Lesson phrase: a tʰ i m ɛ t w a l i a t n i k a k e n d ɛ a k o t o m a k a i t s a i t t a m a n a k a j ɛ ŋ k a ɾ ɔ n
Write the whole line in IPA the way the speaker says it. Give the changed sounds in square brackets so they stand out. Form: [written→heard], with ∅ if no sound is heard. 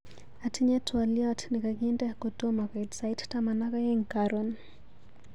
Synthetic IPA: a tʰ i [m→ɲ] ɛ t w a l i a t n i k a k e n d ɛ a k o t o m a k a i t s a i t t a m a n a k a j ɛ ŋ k a ɾ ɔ n